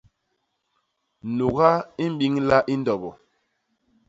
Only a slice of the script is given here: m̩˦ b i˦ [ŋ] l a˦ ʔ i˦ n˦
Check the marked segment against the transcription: correct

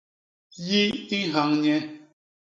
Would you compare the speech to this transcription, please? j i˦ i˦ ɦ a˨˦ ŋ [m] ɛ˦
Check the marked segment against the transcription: incorrect: ɲ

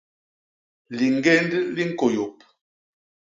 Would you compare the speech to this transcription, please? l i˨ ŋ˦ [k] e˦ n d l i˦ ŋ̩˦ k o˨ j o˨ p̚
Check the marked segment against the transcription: incorrect: ɡ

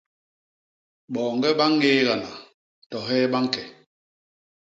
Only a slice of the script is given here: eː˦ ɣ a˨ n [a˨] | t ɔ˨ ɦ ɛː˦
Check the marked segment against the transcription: correct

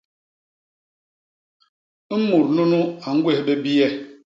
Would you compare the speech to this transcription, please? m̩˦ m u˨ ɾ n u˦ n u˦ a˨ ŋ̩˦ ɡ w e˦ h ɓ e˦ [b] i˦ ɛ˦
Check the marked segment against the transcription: correct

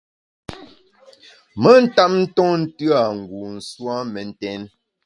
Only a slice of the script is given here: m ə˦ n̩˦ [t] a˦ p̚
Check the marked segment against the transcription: correct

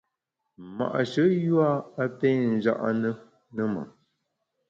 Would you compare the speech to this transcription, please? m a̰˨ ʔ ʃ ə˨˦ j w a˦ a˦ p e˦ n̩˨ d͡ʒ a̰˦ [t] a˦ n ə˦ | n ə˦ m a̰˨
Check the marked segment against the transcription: incorrect: ʔ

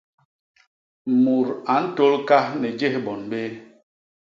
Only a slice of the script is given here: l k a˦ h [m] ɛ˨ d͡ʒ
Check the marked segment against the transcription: incorrect: n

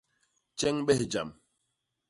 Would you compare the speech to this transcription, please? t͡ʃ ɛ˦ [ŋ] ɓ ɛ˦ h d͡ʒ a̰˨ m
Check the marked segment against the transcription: correct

